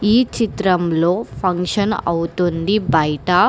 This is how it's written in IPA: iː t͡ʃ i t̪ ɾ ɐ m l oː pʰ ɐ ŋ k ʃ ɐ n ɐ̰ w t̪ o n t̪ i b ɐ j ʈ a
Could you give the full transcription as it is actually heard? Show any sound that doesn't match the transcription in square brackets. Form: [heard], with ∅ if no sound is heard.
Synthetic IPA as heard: iː t͡ʃ i t̪ ɾ ɐ m l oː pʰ ɐ ŋ k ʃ ɐ n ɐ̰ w t̪ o n [d̪] i b ɐ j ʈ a